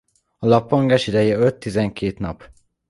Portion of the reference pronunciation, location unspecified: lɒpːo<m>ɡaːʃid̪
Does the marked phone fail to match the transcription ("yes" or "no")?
yes